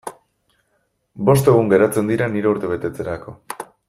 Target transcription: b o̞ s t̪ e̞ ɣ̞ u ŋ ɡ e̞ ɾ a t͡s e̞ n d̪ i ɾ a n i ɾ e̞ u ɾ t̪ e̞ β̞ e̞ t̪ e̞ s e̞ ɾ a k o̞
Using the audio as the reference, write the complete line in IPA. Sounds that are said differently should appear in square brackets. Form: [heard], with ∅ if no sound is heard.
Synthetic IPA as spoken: b o̞ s t̪ e̞ ɣ̞ u ŋ ɡ e̞ ɾ a t͡s e̞ n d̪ i ɾ a n i ɾ e̞ u ɾ t̪ e̞ β̞ e̞ t̪ e̞ [t͡s] e̞ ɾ a k o̞